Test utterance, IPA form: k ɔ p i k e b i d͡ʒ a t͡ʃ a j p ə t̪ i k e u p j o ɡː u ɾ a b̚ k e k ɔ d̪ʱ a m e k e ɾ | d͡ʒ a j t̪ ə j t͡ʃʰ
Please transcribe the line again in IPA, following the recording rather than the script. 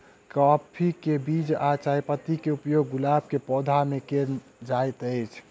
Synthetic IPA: k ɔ pʰ i k e b i d͡ʒ a t͡ʃ a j p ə t̪ i k e u p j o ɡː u l a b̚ k e p ɔ d̪ʱ a m e k e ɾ | d͡ʒ a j t̪ ə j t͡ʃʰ